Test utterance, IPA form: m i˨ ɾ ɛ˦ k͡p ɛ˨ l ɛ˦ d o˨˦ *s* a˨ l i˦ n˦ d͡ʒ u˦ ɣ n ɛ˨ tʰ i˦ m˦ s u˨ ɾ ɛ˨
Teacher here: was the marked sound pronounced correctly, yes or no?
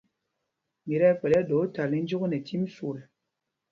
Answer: no